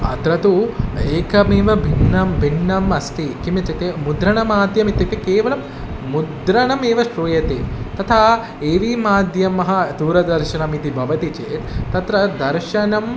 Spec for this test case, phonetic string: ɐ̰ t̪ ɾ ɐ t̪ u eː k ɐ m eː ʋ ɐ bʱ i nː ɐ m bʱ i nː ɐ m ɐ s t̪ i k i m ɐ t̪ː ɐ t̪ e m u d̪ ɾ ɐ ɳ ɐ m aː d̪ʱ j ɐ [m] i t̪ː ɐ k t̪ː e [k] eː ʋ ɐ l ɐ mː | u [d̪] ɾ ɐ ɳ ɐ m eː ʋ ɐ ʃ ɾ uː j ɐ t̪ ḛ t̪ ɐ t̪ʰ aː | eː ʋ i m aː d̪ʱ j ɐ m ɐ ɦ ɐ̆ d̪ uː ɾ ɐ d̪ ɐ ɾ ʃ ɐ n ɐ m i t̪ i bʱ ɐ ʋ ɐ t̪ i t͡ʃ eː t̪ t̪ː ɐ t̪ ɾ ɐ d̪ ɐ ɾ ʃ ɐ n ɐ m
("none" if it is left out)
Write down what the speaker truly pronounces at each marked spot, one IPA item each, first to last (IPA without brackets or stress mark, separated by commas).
m, k, d̪